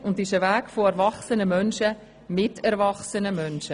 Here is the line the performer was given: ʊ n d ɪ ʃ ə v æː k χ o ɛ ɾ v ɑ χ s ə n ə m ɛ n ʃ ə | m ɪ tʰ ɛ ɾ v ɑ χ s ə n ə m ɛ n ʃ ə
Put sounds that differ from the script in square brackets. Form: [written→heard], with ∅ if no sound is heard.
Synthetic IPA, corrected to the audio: ʊ n d ɪ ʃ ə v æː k [χ→f] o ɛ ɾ v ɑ χ s ə n ə m [ɛ→œ] n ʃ ə | m ɪ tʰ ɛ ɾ v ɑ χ s ə n ə m [ɛ→œ] n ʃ ə